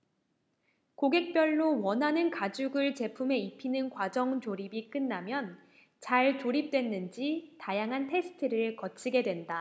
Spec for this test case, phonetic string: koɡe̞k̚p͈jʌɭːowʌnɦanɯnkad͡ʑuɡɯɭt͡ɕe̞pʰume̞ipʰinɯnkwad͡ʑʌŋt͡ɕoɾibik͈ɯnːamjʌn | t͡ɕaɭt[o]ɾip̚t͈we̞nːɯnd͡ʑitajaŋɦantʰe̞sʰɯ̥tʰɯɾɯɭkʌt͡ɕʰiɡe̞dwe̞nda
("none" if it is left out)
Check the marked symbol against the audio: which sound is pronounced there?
o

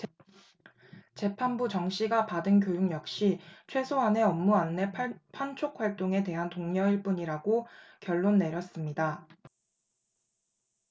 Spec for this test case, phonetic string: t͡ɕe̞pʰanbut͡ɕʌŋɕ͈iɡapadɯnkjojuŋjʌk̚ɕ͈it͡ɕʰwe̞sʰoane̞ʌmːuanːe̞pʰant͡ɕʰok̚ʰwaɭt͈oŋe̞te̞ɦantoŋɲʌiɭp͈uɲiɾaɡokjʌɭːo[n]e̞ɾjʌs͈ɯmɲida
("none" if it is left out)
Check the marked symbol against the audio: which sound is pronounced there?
nː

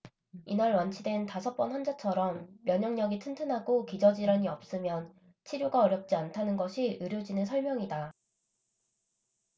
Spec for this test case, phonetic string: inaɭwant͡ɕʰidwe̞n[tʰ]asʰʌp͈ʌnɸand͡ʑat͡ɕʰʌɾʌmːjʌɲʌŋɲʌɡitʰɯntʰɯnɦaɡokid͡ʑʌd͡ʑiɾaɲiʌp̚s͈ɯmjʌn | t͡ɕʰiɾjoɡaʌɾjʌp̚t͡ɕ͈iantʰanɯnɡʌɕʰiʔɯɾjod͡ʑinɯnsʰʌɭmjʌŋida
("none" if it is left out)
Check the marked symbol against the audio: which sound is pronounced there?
t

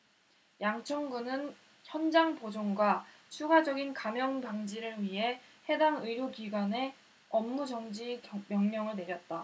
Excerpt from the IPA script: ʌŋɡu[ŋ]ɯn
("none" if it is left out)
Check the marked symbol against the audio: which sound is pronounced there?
n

